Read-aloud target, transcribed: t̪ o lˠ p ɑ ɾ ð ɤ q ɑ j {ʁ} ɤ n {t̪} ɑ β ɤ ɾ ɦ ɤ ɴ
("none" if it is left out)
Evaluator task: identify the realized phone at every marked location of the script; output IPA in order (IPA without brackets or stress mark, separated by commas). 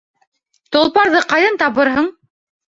ð, t̪